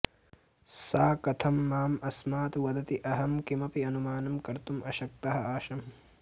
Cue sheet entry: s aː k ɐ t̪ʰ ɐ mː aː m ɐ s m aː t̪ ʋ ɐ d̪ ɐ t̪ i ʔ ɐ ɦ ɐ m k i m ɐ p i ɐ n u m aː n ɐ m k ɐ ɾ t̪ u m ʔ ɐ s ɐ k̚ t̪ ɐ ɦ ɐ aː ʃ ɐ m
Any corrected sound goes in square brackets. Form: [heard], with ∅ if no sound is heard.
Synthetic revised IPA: s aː k ɐ t̪ʰ ɐ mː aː m ɐ s m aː t̪ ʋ ɐ d̪ ɐ t̪ i ʔ ɐ ɦ ɐ m k i m ɐ p i ɐ n u m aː n ɐ m k ɐ ɾ t̪ u m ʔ ɐ [ʃ] ɐ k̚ t̪ ɐ ɦ ɐ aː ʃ ɐ m